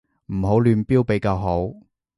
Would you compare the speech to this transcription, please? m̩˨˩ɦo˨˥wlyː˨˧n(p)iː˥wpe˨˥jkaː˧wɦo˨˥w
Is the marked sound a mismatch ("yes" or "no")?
no